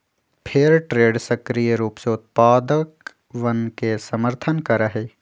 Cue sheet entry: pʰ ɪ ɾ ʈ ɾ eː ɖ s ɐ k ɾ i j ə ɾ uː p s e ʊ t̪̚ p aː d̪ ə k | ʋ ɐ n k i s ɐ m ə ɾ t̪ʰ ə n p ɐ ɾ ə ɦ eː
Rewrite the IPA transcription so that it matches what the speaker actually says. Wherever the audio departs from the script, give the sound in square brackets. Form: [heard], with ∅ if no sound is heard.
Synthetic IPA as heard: pʰ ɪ ɾ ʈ ɾ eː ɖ s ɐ k ɾ i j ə ɾ uː p s e ʊ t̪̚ p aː d̪ ə k | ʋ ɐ n k [e] s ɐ m ə ɾ t̪ʰ ə n [k] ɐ ɾ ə ɦ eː